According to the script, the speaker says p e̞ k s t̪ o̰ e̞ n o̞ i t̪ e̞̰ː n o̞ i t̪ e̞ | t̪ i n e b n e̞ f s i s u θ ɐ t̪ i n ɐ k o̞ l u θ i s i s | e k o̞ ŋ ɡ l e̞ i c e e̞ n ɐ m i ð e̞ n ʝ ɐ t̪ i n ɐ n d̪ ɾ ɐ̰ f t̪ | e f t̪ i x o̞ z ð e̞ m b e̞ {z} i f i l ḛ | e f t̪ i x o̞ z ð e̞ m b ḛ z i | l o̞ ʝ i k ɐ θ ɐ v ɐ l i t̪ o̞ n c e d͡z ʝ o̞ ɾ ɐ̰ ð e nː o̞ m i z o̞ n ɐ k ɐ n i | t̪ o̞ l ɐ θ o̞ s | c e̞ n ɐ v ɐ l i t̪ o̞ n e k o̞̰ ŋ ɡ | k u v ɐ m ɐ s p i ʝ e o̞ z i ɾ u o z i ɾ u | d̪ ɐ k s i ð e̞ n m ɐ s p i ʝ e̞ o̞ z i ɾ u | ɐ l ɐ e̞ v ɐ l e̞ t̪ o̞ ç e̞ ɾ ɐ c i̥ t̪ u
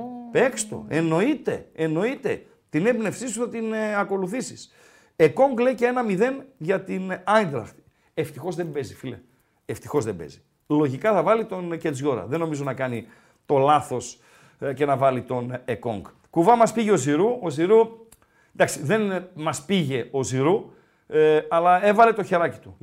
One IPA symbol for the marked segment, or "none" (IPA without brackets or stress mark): z